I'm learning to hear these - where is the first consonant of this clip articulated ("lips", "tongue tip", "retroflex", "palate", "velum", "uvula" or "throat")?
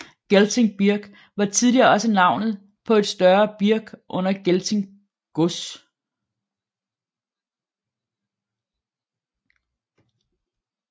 velum